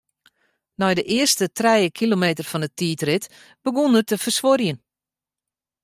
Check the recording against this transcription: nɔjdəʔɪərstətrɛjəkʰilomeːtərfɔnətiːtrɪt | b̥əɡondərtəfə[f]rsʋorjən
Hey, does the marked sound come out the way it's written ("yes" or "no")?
no